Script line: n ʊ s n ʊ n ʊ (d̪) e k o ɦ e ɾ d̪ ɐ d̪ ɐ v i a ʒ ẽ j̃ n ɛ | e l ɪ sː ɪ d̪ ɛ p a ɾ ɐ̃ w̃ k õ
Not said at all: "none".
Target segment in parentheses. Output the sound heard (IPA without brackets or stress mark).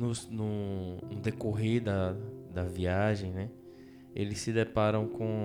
d̪